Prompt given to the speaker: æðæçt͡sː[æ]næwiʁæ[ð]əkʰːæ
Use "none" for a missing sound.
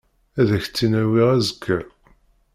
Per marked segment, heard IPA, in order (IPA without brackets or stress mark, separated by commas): i, z